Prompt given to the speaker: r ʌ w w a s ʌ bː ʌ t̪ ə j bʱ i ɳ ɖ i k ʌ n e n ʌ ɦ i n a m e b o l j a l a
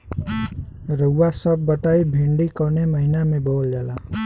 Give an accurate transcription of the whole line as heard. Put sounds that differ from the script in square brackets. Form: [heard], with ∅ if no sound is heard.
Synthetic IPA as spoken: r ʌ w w a s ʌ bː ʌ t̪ [a] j bʱ i ɳ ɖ i k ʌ n e [m] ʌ ɦ i n a m e b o l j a l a